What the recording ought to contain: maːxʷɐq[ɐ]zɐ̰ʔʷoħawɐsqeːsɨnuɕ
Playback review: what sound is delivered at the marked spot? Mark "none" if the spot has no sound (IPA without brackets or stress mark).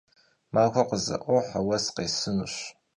ə